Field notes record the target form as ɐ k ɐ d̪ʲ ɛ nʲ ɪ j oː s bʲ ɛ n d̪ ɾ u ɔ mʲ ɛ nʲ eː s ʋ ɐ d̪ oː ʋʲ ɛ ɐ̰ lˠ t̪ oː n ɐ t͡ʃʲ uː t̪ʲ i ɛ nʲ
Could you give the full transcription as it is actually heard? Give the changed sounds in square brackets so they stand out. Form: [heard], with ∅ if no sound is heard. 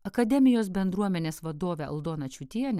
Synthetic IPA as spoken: ɐ k ɐ d̪ʲ ɛ [mʲ] ɪ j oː s bʲ ɛ n d̪ ɾ u ɔ mʲ ɛ nʲ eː s ʋ ɐ d̪ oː ʋʲ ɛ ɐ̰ lˠ [d̪] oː n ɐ t͡ʃʲ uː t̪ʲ i ɛ nʲ